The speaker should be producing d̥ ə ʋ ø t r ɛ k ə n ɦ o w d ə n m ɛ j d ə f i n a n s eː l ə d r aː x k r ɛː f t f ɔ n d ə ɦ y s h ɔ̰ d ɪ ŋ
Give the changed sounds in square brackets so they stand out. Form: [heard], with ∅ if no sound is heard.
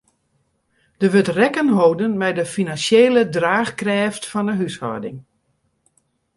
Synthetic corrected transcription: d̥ ə ʋ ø t r ɛ k ə n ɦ o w d ə n m ɛ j d ə f i n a n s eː l ə d r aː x k r ɛː f t f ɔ n d ə ɦ y s h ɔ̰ d ɪ ŋ

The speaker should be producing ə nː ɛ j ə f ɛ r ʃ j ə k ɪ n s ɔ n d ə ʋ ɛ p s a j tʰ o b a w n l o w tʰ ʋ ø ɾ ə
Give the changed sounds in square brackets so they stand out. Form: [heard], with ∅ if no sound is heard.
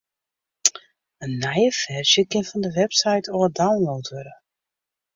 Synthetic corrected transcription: ə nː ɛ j ə f ɛ r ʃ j ə k ɪ n [f] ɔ n d ə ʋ ɛ p s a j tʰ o [d] a w n l o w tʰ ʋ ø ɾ ə

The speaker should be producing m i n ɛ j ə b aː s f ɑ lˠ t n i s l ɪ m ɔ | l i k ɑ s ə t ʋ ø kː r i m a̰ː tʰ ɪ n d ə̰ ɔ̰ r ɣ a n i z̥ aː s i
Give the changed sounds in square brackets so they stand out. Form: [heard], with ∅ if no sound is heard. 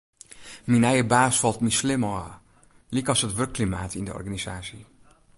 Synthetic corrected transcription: m i n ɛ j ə b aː s f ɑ lˠ t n i s l ɪ m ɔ | l i k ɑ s ə t ʋ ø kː [l] i m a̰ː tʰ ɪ n d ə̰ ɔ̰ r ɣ a n i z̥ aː s i

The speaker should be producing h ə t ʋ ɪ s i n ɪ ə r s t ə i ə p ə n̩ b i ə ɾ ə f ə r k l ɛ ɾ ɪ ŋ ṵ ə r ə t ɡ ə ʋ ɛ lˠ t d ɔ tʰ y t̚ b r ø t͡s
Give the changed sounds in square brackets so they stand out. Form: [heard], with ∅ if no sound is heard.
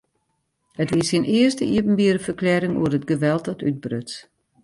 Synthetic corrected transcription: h ə t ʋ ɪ s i n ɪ ə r s t ə i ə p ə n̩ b i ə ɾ ə f ə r k l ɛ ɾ ɪ ŋ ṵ ə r ə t ɡ ə ʋ ɛ lˠ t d ɔ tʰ y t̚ b r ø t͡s

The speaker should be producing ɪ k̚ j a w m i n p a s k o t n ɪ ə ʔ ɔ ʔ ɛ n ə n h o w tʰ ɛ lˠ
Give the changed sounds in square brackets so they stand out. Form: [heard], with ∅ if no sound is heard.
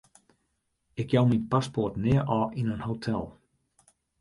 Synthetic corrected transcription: ɪ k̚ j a w m i n p a s [p] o t n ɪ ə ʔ ɔ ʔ [i] n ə n h o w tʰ ɛ lˠ

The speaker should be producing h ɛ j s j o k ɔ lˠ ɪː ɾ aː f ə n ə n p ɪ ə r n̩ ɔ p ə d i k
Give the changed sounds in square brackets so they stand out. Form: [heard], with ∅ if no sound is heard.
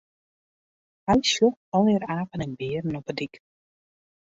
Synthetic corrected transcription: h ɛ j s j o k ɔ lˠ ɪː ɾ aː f ə n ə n [b] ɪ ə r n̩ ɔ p ə d i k

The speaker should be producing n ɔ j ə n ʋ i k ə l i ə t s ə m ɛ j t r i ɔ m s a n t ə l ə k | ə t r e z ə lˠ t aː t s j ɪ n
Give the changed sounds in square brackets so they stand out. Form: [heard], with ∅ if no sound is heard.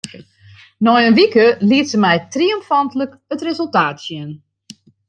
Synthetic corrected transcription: n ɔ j ə n ʋ i k ə l i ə t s ə m ɛ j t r i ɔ m [f] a n t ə l ə k | ə t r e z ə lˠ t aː t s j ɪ n

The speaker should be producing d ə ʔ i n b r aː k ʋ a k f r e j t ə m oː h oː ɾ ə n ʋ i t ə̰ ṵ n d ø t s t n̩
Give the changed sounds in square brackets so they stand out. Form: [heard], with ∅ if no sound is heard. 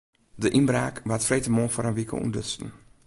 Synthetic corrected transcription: d ə ʔ i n b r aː k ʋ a [t] f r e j t ə m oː [f] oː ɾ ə n ʋ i [k] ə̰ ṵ n d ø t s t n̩

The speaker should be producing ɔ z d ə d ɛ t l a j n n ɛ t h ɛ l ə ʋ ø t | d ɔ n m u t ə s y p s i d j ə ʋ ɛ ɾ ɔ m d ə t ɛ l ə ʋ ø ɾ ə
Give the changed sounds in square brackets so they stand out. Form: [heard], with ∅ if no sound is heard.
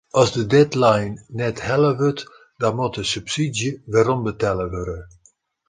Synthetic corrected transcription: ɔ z d ə d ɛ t l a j n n ɛ t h ɛ l ə ʋ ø t | d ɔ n m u t ə s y p s i d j ə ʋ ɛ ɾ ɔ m [b] ə t ɛ l ə ʋ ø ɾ ə

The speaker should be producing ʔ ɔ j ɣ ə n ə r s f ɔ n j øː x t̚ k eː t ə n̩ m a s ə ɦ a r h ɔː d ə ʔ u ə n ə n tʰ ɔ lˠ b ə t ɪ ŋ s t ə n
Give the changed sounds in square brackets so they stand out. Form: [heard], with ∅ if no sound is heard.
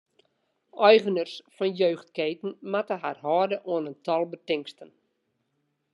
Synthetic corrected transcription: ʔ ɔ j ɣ ə n ə r s f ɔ n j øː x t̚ k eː t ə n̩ m a [t] ə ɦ a r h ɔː d ə ʔ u ə n ə n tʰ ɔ lˠ b ə t ɪ ŋ s t ə n

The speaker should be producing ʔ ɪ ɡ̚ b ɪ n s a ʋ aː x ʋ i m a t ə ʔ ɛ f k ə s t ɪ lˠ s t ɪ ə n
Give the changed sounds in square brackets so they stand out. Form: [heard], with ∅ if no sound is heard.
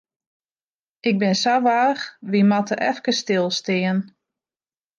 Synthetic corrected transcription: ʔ ɪ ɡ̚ b ɪ n s a ʋ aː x ʋ i m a t ə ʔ ɛ f k ə s t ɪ lˠ s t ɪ ə n

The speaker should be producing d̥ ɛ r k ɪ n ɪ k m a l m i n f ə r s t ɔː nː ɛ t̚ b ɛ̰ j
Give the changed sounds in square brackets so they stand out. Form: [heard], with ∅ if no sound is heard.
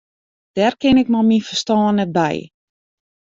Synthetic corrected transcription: d̥ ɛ r k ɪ n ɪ k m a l m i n f ə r s t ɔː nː ɛ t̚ b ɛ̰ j

